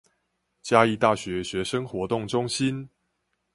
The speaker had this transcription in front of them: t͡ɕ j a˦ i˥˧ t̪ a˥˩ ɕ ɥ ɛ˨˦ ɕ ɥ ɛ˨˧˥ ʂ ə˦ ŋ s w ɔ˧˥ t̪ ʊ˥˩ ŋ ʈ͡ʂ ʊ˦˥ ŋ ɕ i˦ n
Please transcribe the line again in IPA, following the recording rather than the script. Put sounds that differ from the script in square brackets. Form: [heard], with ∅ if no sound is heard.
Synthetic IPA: t͡ɕ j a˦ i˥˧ t̪ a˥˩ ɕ ɥ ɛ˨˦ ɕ ɥ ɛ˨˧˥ ʂ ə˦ ŋ [x] w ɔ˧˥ t̪ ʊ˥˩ ŋ ʈ͡ʂ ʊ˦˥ ŋ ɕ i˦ n